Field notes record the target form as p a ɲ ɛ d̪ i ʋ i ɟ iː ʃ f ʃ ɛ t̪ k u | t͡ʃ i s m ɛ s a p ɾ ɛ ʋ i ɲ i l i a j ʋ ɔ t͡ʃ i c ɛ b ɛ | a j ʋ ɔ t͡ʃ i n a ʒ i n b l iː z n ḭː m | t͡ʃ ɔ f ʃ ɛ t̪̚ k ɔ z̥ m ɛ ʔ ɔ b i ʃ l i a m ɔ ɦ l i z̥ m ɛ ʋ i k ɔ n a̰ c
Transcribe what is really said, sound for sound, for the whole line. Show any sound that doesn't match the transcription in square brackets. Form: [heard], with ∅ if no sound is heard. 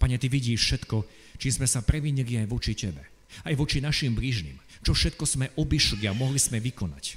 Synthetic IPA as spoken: p a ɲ ɛ [t̪] i ʋ i ɟ iː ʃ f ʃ ɛ t̪ k [ɔ] | t͡ʃ i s m ɛ s a p ɾ ɛ ʋ i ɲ i l i a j ʋ ɔ t͡ʃ i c ɛ b ɛ | a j ʋ ɔ t͡ʃ i n a [ʃ] i [m] b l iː [ʒ] n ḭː m | t͡ʃ ɔ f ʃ ɛ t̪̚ k ɔ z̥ m ɛ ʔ ɔ b i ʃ l i a m ɔ ɦ l i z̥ m ɛ ʋ i k ɔ n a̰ c